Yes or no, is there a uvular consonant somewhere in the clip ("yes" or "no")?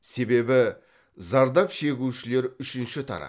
no